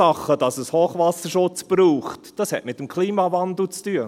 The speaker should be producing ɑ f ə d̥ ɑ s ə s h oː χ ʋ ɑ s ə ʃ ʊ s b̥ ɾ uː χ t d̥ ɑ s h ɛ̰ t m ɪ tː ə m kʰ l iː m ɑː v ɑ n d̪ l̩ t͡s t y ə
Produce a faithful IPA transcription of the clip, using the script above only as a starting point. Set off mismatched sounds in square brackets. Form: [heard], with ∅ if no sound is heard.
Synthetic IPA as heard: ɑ [χ] ə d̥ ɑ s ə s h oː χ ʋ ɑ s ə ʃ ʊ [t͡s] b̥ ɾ uː χ t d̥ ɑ s h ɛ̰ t m ɪ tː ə m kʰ l iː m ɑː v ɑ n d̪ l̩ t͡s t y ə